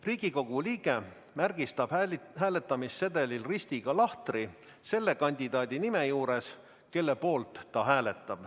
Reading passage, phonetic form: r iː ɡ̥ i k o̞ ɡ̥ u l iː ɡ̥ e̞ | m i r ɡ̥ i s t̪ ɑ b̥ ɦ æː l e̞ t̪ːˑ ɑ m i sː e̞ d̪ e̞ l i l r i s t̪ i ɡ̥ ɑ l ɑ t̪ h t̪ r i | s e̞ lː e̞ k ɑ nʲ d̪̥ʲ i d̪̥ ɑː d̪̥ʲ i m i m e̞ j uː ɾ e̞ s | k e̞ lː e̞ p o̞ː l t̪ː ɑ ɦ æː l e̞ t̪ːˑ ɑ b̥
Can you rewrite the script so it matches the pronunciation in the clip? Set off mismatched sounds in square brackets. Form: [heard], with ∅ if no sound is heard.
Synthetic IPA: r iː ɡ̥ i k o̞ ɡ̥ u l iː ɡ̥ e̞ | m [æ] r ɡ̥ i s t̪ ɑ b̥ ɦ æː l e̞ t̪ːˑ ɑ m i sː e̞ d̪ e̞ l i l r i s t̪ i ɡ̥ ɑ l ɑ [∅] h t̪ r i | s e̞ lː e̞ k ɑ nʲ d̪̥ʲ i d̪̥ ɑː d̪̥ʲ i [n] i m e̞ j uː ɾ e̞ s | k e̞ lː e̞ p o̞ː l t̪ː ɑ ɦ æː l e̞ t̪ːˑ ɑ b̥